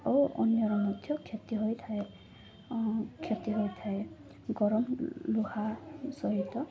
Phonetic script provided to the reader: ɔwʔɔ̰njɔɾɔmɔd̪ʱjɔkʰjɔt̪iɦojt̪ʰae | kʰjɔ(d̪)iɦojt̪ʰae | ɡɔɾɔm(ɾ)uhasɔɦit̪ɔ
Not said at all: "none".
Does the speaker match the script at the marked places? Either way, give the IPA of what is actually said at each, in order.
t̪, l

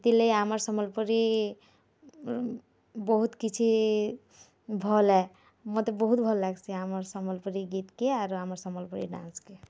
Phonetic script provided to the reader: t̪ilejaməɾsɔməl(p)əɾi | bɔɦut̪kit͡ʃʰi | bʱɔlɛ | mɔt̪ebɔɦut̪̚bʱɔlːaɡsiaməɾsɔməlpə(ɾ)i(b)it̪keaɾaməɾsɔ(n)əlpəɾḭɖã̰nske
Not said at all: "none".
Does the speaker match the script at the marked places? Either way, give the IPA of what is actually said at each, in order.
p, ɾ, ɡ, m

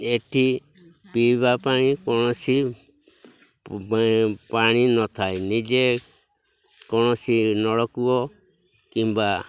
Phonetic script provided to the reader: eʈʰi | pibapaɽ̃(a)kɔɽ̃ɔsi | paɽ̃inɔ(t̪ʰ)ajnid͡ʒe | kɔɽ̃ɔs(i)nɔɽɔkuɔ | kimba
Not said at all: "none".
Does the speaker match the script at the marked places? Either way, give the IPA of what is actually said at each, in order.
i, t̪ʰ, i

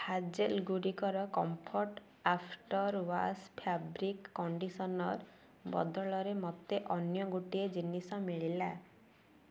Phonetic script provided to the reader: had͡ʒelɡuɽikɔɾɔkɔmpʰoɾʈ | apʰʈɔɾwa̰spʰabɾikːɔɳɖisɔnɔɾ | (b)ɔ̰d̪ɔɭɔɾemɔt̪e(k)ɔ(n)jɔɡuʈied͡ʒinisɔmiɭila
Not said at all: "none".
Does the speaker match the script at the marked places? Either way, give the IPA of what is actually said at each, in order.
b, ʔ, n

